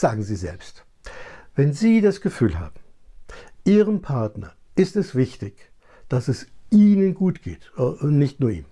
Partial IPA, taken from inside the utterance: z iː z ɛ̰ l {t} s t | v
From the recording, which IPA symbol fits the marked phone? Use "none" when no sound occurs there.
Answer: p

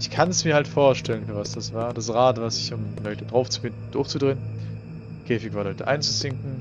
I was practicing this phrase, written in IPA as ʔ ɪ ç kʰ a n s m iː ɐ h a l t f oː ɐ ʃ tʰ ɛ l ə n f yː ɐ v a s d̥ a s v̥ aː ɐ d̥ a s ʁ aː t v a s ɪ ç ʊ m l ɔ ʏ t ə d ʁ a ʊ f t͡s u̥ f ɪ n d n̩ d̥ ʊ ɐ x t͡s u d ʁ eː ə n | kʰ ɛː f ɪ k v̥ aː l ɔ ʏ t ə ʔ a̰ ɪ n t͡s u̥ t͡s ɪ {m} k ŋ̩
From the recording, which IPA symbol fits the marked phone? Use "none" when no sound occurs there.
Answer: ŋ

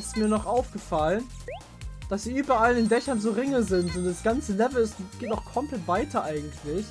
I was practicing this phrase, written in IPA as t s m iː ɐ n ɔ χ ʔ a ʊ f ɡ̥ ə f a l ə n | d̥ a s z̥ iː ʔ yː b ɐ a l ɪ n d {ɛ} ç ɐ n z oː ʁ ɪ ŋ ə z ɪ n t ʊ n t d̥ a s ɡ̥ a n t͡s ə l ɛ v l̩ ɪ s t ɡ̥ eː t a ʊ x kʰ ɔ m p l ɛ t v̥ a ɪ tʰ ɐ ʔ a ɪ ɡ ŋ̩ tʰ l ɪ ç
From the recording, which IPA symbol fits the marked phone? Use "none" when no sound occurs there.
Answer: ɛ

